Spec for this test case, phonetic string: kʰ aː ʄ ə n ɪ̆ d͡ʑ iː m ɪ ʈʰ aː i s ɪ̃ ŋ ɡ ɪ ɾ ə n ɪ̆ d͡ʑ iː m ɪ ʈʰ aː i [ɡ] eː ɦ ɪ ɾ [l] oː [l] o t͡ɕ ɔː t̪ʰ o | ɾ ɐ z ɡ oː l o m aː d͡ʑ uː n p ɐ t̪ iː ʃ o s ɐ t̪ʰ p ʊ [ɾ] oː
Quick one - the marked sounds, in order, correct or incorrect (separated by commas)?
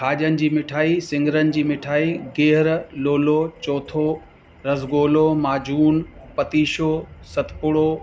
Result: correct, correct, correct, incorrect